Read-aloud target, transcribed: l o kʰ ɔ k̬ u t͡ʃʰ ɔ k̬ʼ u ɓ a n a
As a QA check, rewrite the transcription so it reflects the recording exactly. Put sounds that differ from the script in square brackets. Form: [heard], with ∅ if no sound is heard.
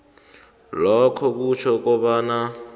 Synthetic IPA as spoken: l [ɔ] kʰ ɔ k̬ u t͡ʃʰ ɔ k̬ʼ [ɔ] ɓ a n a